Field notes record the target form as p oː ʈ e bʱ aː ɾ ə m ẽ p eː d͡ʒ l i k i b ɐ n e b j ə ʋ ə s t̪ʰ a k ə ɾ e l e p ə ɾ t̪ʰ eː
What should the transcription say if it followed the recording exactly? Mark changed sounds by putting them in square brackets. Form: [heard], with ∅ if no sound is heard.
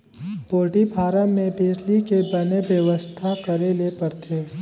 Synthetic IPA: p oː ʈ [i] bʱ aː ɾ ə m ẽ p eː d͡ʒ l i k [e] b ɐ n e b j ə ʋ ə s t̪ʰ a k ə ɾ e l e p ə ɾ t̪ʰ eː